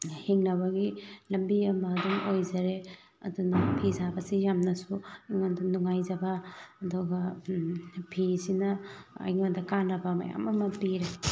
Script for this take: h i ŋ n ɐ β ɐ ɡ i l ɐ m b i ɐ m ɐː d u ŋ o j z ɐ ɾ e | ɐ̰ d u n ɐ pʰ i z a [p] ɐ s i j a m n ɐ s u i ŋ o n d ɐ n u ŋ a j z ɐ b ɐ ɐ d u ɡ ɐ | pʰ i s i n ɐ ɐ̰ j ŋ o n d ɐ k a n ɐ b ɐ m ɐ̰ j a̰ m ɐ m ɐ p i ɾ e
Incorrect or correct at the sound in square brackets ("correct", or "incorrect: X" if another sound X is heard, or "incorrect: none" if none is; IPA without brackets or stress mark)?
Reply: incorrect: b